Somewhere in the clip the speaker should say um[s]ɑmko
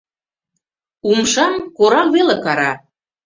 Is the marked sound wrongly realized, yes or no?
yes